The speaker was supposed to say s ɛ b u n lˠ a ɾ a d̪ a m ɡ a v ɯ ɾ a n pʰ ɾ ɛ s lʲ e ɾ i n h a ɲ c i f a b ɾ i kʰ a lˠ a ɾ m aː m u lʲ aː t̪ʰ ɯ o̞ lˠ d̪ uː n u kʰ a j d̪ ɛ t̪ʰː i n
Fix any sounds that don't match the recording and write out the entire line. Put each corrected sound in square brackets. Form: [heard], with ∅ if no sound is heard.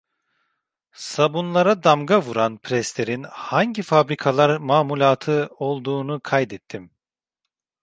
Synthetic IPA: s [a] b u n lˠ a ɾ a d̪ a m ɡ a v [u] ɾ a n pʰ ɾ ɛ s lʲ e ɾ i n h a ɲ [ɟ] i f a b ɾ i kʰ a lˠ a ɾ m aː m u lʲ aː t̪ʰ ɯ o̞ lˠ d̪ uː n u kʰ a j d̪ ɛ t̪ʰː i [m]